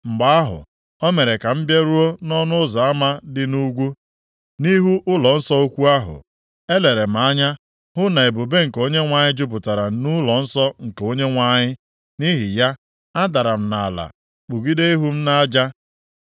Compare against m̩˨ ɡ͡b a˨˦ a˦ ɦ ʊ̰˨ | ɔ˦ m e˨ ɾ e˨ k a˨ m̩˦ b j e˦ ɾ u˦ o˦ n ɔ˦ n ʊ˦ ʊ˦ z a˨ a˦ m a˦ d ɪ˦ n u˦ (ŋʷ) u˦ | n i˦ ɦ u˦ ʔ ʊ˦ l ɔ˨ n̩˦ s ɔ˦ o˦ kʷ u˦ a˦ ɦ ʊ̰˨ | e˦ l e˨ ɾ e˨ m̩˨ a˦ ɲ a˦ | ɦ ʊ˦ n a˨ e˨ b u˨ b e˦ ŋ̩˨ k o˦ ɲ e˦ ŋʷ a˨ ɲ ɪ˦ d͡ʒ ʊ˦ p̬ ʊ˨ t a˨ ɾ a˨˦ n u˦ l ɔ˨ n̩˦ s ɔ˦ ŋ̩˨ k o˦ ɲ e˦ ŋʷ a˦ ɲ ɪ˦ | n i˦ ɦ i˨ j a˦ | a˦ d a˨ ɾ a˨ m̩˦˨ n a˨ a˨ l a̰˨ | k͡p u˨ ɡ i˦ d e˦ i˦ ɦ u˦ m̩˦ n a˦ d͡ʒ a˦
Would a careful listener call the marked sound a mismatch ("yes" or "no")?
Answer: yes